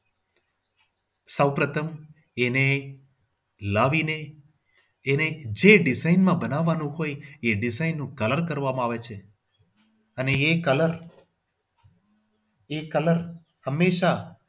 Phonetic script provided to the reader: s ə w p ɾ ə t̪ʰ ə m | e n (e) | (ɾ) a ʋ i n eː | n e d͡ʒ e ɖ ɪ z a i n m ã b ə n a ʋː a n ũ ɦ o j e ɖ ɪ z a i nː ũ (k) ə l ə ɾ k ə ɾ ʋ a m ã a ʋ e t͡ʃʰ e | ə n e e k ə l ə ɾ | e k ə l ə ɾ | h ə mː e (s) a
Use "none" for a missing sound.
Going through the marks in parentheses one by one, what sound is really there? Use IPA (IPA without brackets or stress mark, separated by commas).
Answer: e, l, k, ʃ